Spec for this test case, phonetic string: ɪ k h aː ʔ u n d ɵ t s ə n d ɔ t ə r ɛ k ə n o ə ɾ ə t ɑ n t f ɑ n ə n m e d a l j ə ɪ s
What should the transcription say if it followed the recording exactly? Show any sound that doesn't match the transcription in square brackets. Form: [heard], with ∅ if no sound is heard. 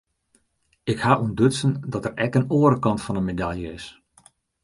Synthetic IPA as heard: ɪ k h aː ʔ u n d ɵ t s ə n d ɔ t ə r ɛ k ə n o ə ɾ ə [k] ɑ n t f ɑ n ə n m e d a l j ə ɪ s